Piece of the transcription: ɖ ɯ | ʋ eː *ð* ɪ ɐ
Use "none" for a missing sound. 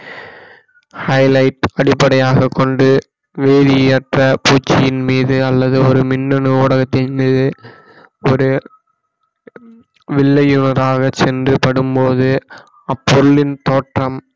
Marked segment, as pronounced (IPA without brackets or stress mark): ð